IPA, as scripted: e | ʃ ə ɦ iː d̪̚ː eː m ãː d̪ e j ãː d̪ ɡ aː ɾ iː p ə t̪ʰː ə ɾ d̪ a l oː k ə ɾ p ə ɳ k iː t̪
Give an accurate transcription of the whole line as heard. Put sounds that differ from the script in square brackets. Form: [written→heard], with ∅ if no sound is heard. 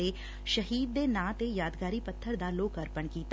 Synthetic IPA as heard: e | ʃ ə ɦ iː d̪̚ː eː [m→n] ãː [d̪→t̪] e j [ãː→aː] d̪ ɡ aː ɾ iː p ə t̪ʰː ə ɾ d̪ a l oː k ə ɾ p ə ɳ k iː t̪